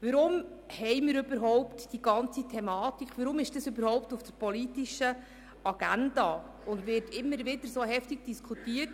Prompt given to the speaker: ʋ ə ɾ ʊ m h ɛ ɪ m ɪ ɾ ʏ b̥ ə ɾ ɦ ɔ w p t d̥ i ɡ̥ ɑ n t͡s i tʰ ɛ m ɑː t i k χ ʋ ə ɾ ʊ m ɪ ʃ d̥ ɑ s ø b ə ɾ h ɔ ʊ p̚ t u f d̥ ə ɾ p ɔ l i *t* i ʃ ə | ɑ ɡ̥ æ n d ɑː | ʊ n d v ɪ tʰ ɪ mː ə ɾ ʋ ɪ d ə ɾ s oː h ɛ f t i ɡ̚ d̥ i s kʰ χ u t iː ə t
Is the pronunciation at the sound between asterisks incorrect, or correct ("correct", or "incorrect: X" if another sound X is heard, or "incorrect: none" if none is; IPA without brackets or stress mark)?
correct